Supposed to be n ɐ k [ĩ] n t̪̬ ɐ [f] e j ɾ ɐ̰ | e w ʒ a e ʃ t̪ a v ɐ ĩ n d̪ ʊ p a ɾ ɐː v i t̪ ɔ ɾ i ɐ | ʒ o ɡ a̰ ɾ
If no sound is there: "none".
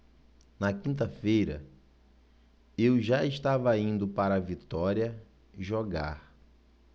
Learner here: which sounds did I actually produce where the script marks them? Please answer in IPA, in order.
ĩ, f

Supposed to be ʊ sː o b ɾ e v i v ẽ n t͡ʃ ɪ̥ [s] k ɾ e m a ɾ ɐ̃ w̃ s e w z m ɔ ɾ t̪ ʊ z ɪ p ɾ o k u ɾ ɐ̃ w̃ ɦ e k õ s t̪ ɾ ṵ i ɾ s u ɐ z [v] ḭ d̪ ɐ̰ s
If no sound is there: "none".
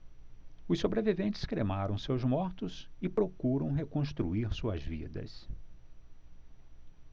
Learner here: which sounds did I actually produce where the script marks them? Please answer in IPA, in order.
s, v

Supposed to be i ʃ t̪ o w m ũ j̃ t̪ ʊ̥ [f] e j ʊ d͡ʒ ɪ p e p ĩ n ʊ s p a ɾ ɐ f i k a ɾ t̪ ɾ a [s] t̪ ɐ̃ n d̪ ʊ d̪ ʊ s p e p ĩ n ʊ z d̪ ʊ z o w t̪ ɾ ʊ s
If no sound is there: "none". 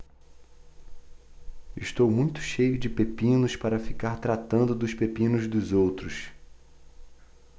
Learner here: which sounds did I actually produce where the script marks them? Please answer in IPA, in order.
ʃ, none

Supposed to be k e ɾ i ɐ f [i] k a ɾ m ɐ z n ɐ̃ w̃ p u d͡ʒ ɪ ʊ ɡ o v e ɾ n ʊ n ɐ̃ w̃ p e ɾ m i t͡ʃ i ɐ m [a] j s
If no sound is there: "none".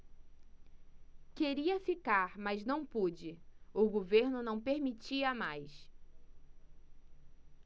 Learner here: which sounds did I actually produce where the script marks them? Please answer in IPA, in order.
i, a

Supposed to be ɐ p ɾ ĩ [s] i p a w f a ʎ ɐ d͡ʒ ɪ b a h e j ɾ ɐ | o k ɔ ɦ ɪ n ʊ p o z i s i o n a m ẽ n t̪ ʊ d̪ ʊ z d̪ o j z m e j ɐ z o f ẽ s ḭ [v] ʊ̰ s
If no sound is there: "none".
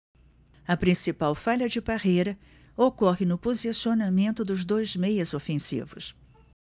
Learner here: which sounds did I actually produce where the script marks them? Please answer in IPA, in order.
s, v

